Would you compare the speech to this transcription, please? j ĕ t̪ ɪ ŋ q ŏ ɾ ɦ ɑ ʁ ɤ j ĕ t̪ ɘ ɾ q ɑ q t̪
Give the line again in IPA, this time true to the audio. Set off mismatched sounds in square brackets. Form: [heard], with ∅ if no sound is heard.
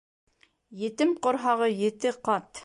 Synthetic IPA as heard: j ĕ t̪ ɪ [m] q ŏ ɾ ɦ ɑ ʁ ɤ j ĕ t̪ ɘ [∅] q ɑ [∅] t̪